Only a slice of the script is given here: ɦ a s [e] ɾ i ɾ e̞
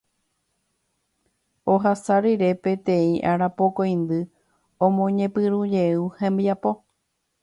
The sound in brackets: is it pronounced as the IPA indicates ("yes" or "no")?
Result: no